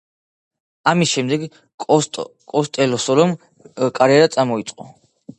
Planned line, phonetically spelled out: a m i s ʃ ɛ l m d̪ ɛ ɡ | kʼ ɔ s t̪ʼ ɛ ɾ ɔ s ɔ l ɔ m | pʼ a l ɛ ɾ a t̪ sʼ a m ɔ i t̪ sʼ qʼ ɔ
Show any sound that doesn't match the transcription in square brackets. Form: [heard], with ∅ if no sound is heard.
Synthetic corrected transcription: a m i s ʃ ɛ [∅] m d̪ ɛ ɡ | kʼ ɔ s t̪ʼ ɛ [l] ɔ s ɔ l ɔ m | [kʼ] a [ɾ] ɛ ɾ a t̪ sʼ a m ɔ i t̪ sʼ qʼ ɔ

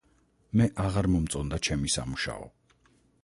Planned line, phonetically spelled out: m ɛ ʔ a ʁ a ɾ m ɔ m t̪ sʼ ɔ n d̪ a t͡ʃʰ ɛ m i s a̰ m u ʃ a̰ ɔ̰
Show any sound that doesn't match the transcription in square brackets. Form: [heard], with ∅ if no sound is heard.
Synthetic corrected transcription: m ɛ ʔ a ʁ a ɾ m ɔ m t̪ sʼ ɔ n d̪ a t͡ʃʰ ɛ m i s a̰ m u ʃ a̰ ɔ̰

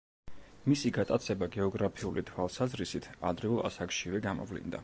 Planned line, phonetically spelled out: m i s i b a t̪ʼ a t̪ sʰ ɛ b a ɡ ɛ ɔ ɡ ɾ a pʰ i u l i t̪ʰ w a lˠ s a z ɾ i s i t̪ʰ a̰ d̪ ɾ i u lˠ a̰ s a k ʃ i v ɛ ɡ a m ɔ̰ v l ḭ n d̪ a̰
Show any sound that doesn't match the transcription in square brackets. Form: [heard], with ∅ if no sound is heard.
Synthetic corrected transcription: m i s i [ɡ] a t̪ʼ a t̪ sʰ ɛ b a ɡ ɛ ɔ ɡ ɾ a pʰ i u l i t̪ʰ w a lˠ s a z ɾ i s i t̪ʰ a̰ d̪ ɾ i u lˠ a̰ s a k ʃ i v ɛ ɡ a m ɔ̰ v l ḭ n d̪ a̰

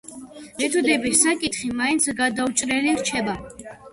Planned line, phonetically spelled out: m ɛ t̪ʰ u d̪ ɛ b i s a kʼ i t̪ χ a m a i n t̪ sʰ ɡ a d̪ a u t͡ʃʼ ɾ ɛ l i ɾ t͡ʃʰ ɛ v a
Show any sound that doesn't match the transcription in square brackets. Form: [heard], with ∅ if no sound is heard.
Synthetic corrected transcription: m ɛ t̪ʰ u d̪ ɛ b i s a kʼ i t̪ χ [i] m a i n t̪ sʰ ɡ a d̪ a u t͡ʃʼ ɾ ɛ l i ɾ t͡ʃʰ ɛ [b] a

